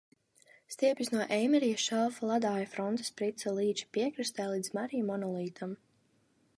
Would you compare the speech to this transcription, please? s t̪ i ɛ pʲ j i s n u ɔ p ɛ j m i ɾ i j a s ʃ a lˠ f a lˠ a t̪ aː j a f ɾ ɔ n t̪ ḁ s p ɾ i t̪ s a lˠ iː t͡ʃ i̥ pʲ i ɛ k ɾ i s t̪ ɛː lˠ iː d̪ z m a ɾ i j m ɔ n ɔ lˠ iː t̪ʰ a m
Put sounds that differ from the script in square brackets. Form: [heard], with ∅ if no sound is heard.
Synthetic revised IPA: s t̪ i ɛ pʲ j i s n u ɔ [ʔ] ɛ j m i ɾ i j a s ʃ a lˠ f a lˠ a [d̪] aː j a f ɾ ɔ n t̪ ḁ s p ɾ i t̪ s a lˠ iː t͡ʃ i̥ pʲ i ɛ k ɾ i s t̪ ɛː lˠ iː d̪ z m a ɾ i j m ɔ n ɔ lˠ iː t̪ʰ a m